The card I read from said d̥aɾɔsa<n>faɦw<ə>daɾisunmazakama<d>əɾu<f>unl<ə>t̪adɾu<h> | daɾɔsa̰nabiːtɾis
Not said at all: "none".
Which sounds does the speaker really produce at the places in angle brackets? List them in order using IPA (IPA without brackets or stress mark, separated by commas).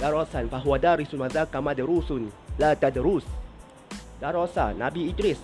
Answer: n, a, d, s, a, s